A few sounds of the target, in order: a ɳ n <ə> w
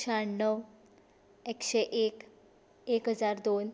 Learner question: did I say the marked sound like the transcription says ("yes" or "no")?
yes